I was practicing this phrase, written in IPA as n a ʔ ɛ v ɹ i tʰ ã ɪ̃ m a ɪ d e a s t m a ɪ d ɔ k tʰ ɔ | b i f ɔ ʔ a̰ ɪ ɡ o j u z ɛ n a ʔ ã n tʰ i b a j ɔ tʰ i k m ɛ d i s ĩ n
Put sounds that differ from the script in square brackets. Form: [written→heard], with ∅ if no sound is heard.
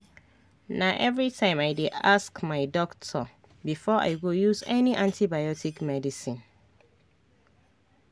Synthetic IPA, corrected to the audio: n a ʔ ɛ v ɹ i tʰ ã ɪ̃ m a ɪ d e a s [t→k] m a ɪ d ɔ k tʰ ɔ | b i f ɔ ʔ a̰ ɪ ɡ o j u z ɛ n [a→i] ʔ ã n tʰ i b a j ɔ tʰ i k m ɛ d i s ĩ n